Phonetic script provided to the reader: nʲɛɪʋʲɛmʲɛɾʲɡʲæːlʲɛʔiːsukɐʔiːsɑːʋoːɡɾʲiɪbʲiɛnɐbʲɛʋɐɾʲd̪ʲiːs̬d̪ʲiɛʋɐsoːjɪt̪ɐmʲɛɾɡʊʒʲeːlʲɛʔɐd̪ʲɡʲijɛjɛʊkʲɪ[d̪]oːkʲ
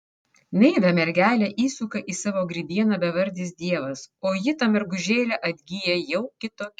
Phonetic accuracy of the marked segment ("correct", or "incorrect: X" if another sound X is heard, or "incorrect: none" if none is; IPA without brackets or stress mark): incorrect: t̪